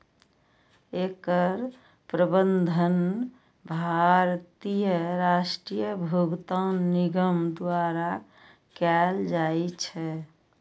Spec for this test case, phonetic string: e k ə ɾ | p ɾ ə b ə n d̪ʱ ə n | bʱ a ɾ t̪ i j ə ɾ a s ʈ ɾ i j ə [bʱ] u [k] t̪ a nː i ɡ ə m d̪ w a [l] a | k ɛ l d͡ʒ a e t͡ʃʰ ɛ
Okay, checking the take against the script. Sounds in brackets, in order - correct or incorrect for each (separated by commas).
correct, incorrect, incorrect